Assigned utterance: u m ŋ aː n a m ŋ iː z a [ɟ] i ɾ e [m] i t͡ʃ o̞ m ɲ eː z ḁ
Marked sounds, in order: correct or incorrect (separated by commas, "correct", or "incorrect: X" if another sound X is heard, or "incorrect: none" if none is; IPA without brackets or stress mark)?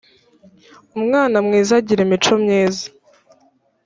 correct, correct